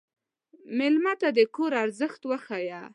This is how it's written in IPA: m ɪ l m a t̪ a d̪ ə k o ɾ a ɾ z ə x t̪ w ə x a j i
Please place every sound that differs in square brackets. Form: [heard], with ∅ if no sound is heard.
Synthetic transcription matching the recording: m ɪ l m a t̪ a d̪ ə k o ɾ a ɾ z ə x t̪ w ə x a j [a]